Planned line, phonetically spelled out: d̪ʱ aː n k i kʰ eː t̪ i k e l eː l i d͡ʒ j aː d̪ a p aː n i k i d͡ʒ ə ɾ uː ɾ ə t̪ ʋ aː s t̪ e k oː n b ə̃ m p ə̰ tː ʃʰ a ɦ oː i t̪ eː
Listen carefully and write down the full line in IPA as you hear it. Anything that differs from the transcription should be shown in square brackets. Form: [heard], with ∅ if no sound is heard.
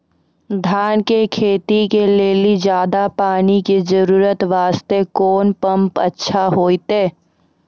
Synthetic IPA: d̪ʱ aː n k [e] kʰ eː t̪ i k e l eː l i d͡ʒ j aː d̪ a p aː n i k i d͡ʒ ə ɾ uː ɾ ə t̪ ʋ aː s t̪ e k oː n [p] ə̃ m p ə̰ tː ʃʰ a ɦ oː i t̪ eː

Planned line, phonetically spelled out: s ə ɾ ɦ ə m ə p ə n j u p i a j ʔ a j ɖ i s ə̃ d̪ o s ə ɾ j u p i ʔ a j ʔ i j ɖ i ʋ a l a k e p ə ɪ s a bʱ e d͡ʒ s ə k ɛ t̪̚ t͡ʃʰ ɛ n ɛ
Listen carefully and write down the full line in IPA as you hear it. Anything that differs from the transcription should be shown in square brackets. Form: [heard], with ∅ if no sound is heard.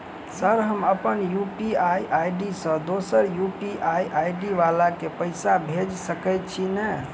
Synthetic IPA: s ə ɾ ɦ ə m ə p ə n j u p i a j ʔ a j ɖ i s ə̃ d̪ o s ə ɾ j u p i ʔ a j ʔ [a] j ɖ i ʋ a l a k e p ə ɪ s a bʱ e d͡ʒ s ə k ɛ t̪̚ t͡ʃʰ [i] n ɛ

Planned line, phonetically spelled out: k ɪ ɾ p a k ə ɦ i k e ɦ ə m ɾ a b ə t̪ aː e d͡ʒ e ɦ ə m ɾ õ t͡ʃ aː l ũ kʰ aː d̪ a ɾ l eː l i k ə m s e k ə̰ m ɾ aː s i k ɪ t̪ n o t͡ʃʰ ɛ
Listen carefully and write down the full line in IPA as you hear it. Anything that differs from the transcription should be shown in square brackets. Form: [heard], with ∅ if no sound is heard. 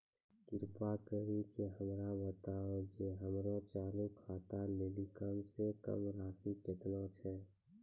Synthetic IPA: k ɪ ɾ p a k ə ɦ i k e ɦ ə m ɾ a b ə t̪ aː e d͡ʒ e ɦ ə m ɾ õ t͡ʃ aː l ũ kʰ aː [t̪] a [∅] l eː l i k ə m s e k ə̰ m ɾ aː s i k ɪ t̪ n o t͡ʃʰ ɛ

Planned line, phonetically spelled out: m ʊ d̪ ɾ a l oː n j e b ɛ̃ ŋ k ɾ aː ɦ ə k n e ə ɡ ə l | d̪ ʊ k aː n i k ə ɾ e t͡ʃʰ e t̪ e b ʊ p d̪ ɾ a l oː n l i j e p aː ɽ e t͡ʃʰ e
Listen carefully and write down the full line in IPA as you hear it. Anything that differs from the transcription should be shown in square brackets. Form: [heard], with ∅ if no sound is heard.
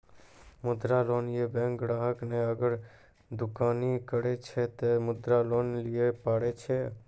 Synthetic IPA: m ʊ d̪ ɾ a l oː n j e b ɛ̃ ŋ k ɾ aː ɦ ə k n e ə ɡ ə [ɾ] | d̪ ʊ k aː n i k ə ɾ e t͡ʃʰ e t̪ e [m] ʊ [∅] d̪ ɾ a l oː n l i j e p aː ɽ e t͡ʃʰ e

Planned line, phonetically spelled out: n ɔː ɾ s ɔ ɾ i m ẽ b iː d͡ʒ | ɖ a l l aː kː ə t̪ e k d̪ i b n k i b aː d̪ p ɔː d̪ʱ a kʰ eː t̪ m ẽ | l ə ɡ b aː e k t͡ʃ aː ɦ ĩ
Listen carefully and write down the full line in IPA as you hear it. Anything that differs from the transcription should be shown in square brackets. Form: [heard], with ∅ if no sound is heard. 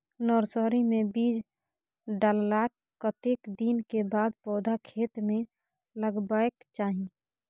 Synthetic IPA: n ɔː ɾ s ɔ ɾ i m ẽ b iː d͡ʒ | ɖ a l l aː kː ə t̪ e k d̪ i [∅] n k [e] b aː d̪ p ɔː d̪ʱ a kʰ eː t̪ m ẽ | l ə ɡ b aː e k t͡ʃ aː ɦ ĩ

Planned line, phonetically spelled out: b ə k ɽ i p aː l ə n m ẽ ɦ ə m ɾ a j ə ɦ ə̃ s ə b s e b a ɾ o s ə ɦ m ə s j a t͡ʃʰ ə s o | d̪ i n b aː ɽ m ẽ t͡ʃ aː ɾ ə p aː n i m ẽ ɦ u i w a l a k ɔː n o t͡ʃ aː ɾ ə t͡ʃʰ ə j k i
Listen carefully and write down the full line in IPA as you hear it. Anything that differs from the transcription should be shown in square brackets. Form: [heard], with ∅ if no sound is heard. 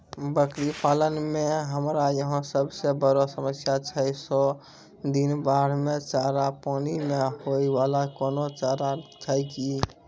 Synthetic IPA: b ə k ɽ i p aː l ə n m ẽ ɦ ə m ɾ a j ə ɦ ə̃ s ə b s e b [ə] ɾ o s ə [∅] m ə s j a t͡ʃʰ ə s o | d̪ i n b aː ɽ m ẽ t͡ʃ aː ɾ [a] p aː n i m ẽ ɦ [o] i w a l a k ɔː n o t͡ʃ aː ɾ [a] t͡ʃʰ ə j k i

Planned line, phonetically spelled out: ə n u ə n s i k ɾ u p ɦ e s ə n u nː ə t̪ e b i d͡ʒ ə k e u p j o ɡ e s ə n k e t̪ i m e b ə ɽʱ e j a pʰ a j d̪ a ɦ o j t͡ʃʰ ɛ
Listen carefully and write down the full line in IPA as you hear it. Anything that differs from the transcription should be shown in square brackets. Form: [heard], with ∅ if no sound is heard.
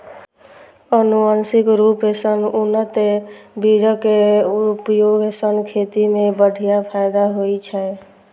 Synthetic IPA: ə n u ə n s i k ɾ u p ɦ e s ə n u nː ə t̪ e b i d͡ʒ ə k e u p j o ɡ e s ə n [kʰ] e t̪ i m e b ə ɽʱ [i] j a pʰ a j d̪ a ɦ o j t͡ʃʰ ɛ

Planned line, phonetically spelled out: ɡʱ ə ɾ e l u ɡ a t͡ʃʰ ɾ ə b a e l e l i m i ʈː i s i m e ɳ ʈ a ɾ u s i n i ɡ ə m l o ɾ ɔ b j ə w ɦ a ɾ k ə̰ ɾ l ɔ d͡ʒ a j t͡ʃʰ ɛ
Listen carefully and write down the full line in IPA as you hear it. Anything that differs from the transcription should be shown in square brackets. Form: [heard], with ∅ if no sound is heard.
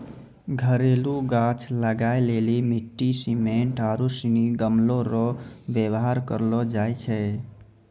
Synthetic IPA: ɡʱ ə ɾ e l u ɡ a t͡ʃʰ [l] ə [ɡ] a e l e l i m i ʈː i s i m e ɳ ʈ a ɾ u s i n i ɡ ə m l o ɾ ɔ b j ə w ɦ a ɾ k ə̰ ɾ l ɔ d͡ʒ a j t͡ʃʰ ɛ

